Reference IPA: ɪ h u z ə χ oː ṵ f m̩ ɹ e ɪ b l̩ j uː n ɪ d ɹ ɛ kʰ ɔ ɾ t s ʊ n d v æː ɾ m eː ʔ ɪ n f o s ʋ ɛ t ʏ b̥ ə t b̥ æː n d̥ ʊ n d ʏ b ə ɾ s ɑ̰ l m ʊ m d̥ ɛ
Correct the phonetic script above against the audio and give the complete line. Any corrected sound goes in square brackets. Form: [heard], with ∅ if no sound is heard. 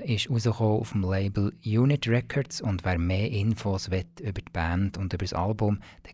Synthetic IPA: ɪ [ʃ] u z ə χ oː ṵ f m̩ [l] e ɪ b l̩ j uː n ɪ [t] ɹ ɛ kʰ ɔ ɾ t s ʊ n d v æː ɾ m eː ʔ ɪ n f o s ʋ ɛ t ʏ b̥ ə t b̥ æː n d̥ ʊ n d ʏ b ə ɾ s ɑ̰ l [b] ʊ m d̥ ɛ